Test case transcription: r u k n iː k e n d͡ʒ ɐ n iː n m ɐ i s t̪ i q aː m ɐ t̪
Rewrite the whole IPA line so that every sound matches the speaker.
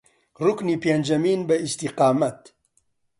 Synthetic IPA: r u k n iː p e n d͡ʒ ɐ m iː n b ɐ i s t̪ i q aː m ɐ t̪